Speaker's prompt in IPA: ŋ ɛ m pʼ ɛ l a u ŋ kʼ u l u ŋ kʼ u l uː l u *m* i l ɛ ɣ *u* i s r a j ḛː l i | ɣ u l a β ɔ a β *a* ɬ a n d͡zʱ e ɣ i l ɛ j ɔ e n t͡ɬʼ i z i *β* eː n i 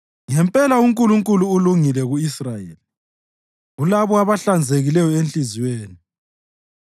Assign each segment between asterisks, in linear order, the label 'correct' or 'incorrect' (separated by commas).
incorrect, correct, correct, incorrect